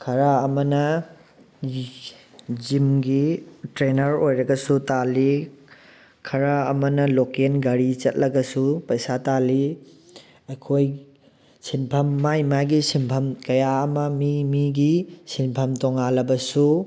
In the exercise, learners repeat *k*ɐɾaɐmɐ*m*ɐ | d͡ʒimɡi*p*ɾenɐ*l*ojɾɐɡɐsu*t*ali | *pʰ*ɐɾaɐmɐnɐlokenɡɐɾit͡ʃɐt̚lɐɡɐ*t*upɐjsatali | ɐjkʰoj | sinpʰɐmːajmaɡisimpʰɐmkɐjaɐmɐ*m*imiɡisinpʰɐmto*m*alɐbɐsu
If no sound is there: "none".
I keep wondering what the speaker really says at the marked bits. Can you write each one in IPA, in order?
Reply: kʰ, n, t, ɾ, t, kʰ, s, m, ŋ

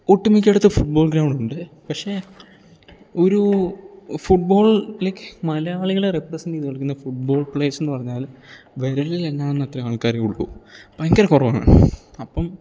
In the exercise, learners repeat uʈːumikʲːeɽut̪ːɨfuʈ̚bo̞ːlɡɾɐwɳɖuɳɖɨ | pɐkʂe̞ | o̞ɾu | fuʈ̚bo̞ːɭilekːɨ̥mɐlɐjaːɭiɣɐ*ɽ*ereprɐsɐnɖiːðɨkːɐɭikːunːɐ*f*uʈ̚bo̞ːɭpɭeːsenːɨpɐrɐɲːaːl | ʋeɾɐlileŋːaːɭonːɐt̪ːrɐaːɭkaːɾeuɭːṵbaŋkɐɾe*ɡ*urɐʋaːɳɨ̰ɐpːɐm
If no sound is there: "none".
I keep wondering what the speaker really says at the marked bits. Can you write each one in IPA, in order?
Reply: ɭ, f, k

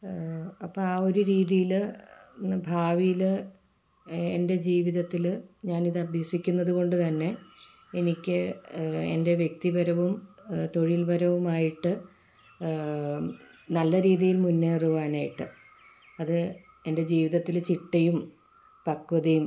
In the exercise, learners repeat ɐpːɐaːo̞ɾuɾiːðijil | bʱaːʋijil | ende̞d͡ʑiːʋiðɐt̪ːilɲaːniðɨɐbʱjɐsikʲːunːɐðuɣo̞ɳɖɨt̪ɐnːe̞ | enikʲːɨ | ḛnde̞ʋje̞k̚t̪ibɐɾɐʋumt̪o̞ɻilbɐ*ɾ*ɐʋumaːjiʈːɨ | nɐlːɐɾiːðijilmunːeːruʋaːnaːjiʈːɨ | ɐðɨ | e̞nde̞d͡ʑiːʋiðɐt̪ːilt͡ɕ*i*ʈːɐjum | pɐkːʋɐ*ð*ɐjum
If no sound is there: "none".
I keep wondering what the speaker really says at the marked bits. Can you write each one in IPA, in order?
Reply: ɾ, i, ð

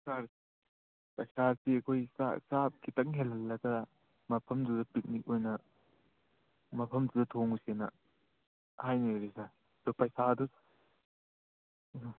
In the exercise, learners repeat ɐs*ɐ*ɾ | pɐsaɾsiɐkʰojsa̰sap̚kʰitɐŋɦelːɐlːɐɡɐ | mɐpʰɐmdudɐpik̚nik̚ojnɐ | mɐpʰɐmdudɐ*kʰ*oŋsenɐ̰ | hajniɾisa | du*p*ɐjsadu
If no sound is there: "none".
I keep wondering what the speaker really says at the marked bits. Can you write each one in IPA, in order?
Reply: a, tʰ, p

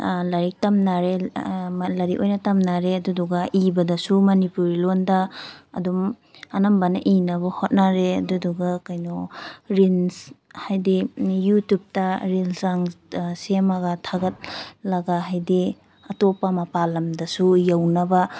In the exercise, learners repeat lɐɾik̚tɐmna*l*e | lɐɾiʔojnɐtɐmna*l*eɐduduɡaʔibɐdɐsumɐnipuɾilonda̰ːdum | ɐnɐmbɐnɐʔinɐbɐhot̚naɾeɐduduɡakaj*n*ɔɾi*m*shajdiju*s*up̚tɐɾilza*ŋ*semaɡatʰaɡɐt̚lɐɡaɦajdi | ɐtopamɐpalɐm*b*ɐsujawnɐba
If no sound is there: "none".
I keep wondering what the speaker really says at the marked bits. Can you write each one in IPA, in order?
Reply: ɾ, ɾ, n, n, t, ŋ, d

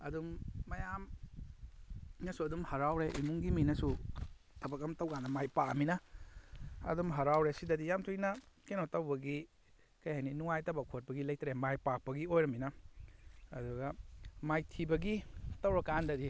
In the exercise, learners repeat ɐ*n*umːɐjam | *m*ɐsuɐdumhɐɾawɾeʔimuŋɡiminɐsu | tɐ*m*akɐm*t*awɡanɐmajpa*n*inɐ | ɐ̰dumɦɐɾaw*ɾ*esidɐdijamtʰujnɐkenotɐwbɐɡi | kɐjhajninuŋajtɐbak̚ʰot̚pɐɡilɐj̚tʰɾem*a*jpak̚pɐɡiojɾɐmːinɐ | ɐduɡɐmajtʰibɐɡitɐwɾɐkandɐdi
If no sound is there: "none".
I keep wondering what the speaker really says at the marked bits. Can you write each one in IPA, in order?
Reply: d, n, b, t, m, ɾ, a

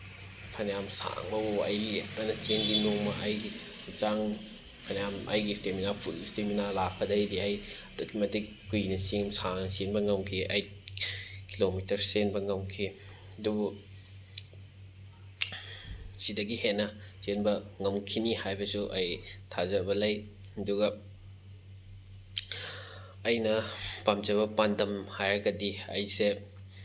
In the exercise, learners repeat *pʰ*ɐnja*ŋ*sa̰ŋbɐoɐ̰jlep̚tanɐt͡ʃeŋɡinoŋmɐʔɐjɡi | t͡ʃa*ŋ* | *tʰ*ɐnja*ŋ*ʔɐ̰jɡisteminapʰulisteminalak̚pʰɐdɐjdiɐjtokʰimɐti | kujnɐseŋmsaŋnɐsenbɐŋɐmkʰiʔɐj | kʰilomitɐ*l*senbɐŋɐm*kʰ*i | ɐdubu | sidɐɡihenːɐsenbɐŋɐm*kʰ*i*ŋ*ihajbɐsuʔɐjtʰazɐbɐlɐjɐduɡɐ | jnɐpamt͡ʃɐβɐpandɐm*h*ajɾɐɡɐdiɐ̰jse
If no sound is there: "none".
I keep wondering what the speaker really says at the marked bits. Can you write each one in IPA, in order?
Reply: pʰ, m, ŋ, pʰ, m, ɾ, kʰ, kʰ, n, h

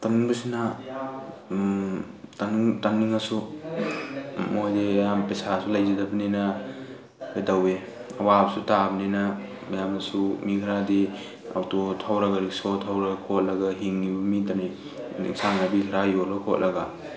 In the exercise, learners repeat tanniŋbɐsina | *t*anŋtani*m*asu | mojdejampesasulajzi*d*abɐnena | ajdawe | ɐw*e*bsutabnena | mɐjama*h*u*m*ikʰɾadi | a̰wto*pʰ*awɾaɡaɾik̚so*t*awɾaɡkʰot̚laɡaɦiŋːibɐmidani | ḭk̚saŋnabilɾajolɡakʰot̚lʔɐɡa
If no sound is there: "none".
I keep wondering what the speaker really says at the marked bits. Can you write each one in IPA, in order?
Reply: t, ŋ, d, a, s, m, tʰ, tʰ

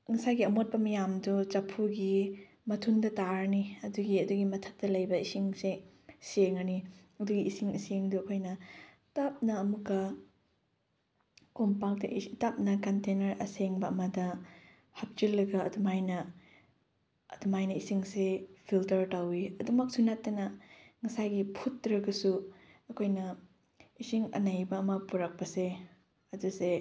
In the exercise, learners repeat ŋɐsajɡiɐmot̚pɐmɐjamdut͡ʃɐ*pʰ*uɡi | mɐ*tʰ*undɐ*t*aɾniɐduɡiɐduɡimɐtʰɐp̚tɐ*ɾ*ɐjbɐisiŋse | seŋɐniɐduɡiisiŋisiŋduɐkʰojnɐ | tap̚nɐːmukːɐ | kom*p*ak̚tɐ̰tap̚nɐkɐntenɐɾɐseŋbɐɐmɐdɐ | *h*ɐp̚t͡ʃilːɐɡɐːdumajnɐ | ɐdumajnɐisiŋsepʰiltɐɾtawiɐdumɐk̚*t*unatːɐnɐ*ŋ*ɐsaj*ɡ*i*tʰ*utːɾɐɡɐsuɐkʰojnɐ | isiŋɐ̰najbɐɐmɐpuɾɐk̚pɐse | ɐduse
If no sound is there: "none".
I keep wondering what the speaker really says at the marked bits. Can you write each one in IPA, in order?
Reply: pʰ, tʰ, t, l, p, h, s, ŋ, ɡ, pʰ

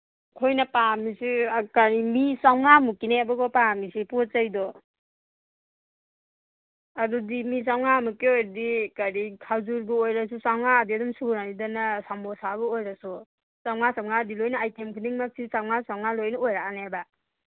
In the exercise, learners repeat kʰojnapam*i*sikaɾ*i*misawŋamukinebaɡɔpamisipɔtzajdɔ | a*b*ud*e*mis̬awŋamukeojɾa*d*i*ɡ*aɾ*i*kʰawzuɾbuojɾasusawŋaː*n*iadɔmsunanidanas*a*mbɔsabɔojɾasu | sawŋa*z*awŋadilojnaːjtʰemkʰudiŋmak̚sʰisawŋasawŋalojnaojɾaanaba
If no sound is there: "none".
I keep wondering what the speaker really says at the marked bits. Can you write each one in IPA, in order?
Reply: i, i, d, i, d, k, i, d, a, s

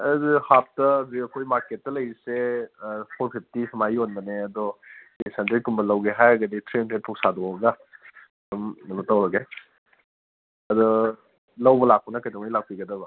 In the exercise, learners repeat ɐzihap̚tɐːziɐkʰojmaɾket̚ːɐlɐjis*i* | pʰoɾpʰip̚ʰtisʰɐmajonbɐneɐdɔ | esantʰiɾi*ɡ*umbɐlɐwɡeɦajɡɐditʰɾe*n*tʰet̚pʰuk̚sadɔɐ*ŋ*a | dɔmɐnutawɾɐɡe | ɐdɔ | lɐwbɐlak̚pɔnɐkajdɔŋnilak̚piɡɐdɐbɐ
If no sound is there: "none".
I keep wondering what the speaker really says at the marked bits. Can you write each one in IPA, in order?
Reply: e, k, n, ɡ

